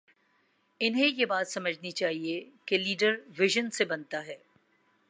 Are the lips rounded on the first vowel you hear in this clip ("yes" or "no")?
no